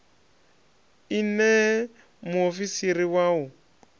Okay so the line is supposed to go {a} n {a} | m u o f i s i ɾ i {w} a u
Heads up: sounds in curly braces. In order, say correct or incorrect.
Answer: incorrect: i, incorrect: ɛ, correct

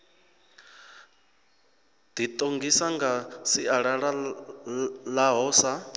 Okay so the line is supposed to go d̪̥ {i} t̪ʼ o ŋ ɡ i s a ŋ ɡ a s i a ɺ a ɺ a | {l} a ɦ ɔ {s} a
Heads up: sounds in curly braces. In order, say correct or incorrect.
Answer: correct, correct, correct

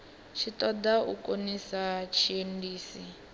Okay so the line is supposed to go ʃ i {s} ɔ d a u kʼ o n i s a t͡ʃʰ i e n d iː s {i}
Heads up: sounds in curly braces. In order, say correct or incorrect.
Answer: incorrect: t, correct

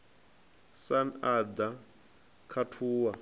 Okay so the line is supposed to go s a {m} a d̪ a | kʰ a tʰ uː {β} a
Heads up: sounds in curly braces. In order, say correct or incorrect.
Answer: incorrect: n, incorrect: w

